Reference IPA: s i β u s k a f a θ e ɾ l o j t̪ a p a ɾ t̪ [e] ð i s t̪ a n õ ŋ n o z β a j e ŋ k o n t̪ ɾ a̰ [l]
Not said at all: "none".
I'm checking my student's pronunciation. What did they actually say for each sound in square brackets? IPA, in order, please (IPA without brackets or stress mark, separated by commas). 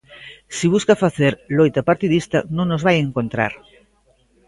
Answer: i, ɾ